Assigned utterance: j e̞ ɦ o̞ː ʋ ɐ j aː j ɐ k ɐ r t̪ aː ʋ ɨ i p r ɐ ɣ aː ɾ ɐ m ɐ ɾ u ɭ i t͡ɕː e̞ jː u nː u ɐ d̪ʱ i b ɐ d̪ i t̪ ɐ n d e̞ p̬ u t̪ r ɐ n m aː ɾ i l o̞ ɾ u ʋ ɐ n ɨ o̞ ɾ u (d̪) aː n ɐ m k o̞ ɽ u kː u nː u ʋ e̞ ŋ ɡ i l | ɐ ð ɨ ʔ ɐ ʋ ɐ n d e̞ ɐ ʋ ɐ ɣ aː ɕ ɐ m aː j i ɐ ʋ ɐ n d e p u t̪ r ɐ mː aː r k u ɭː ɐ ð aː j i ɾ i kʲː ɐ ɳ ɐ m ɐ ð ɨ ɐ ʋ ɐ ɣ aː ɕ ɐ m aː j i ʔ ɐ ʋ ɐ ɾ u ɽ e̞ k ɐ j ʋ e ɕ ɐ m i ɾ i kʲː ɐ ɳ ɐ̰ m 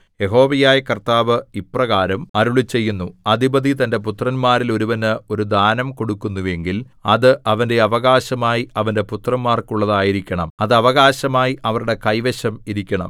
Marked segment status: correct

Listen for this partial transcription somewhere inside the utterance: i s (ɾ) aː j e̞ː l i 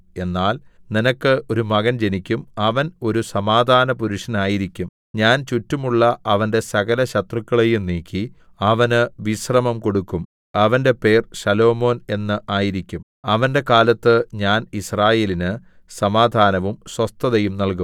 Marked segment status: incorrect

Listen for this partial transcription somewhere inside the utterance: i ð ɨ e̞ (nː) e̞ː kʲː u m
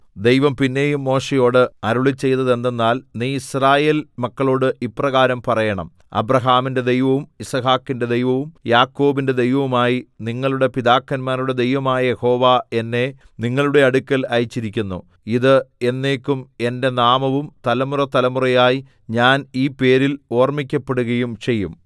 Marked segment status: correct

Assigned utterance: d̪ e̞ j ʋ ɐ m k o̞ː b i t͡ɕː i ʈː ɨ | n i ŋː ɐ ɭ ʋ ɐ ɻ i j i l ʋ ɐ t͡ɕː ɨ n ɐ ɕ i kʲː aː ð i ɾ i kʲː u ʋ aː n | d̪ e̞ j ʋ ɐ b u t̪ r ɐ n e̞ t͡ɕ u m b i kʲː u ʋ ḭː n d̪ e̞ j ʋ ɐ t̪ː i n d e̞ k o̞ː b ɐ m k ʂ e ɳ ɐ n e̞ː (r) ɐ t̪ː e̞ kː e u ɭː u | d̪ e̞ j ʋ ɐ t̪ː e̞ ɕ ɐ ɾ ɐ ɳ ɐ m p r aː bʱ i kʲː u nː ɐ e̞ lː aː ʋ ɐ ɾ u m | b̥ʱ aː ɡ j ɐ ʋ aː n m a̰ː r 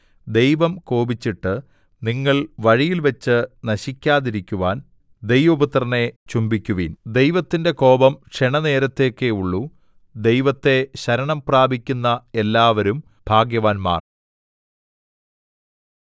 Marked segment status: incorrect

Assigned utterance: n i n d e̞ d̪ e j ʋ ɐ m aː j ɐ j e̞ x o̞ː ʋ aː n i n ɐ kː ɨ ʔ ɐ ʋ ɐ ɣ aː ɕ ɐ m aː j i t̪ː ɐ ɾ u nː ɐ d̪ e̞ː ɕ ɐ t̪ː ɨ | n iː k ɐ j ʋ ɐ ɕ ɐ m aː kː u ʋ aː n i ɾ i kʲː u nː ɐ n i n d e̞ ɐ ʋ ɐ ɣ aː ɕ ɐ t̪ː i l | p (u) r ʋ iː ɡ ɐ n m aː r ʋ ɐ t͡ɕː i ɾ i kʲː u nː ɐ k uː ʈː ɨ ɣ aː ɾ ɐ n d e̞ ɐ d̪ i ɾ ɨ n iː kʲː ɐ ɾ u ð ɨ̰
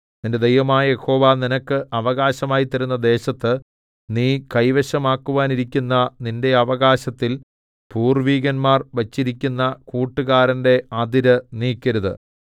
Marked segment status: incorrect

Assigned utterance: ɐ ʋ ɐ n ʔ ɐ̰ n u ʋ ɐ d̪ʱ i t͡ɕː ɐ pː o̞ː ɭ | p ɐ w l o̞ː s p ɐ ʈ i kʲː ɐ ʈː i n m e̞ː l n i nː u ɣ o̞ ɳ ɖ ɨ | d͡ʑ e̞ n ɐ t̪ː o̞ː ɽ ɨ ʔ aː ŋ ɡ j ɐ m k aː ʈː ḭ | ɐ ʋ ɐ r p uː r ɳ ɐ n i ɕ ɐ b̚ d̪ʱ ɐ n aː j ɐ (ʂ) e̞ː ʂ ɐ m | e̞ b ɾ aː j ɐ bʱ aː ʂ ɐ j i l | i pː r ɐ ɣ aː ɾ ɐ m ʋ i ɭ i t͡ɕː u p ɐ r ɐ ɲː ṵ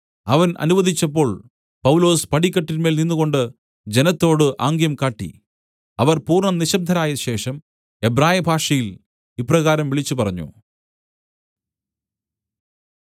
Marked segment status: incorrect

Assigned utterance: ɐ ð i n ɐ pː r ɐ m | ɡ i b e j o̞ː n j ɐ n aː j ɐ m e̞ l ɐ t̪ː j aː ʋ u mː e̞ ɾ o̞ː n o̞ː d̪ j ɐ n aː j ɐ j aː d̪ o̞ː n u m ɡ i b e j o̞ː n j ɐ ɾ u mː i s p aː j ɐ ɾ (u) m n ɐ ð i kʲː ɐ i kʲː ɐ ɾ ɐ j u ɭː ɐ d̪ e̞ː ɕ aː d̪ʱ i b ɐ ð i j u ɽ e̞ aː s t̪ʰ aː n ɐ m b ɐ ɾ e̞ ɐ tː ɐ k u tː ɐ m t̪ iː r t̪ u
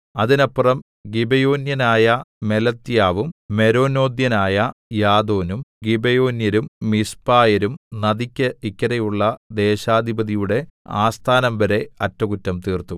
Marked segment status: correct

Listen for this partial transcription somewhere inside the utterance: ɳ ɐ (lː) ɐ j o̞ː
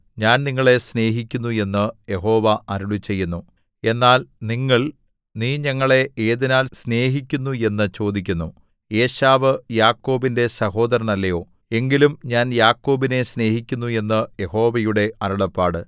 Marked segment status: correct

